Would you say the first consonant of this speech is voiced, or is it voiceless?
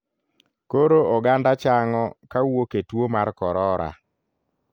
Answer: voiceless